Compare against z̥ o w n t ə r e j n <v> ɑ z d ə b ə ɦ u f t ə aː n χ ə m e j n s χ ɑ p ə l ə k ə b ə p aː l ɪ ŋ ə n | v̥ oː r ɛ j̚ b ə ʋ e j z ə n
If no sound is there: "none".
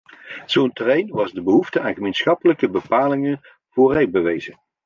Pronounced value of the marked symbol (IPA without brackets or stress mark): ʋ